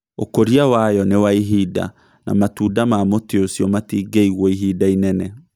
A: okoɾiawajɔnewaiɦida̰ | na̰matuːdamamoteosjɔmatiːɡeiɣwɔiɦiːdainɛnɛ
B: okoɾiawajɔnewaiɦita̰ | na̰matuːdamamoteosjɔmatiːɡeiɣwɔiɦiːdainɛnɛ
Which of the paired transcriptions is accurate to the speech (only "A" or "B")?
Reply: A